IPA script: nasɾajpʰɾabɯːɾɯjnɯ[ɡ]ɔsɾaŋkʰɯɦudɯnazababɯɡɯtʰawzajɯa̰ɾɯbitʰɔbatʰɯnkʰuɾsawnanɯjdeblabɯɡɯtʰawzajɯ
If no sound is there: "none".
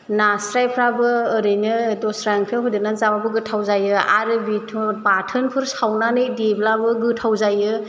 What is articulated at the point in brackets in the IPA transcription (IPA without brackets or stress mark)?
d